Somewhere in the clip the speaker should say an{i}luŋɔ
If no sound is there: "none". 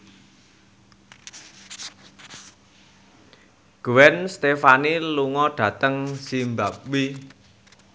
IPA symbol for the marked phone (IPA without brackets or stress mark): i